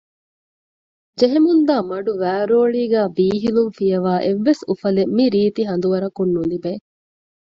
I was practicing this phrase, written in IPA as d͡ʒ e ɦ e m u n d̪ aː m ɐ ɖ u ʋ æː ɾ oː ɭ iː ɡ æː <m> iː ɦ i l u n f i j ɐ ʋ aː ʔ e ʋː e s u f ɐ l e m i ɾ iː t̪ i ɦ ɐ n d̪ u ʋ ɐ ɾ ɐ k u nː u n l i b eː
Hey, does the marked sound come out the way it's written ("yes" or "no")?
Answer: no